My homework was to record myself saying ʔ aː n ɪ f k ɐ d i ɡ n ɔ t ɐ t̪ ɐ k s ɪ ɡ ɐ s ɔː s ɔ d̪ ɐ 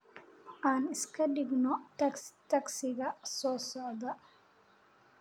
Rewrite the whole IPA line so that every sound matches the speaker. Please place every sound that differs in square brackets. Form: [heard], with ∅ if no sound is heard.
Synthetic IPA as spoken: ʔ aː n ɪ [s] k ɐ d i ɡ n ɔ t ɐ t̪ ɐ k s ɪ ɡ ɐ s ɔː s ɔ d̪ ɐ